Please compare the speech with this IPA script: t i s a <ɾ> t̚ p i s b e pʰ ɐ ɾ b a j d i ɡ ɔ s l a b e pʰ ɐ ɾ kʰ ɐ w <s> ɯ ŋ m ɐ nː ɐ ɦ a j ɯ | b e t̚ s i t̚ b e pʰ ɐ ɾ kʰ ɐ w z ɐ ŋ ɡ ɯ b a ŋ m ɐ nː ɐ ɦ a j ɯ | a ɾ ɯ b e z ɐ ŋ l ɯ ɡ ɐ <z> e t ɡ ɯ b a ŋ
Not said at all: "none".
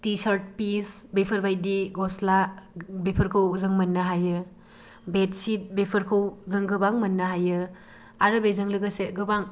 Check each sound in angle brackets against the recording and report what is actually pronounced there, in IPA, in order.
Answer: ɾ, z, s

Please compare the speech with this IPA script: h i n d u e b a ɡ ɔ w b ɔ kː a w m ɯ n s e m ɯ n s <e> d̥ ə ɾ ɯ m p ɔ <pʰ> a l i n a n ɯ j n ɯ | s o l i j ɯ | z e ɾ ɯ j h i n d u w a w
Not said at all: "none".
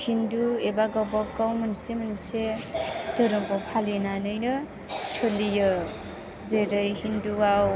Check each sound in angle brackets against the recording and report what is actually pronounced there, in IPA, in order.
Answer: e, pʰ

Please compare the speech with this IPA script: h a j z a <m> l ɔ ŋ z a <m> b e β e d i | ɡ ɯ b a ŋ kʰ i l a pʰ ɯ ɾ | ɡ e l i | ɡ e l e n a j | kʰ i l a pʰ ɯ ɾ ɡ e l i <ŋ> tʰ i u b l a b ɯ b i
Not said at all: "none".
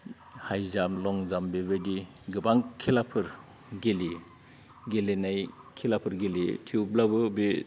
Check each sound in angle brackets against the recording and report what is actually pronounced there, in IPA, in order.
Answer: m, m, none

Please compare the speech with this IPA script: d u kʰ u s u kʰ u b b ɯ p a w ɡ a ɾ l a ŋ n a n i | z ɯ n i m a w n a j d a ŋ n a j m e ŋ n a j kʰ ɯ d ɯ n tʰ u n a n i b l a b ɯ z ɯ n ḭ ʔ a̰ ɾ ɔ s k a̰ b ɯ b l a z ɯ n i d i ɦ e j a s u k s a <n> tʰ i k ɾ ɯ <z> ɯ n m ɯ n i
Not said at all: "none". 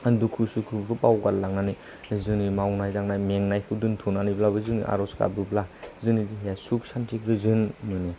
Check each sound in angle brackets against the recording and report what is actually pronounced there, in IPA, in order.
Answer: n, z

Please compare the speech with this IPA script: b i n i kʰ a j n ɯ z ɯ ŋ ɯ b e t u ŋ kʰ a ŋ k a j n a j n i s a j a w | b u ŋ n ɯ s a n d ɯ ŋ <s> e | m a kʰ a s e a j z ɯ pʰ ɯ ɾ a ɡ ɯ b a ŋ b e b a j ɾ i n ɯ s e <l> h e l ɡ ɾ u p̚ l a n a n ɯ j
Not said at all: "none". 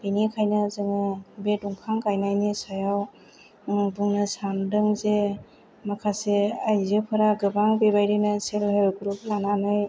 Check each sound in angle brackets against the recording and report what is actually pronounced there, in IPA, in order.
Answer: z, l

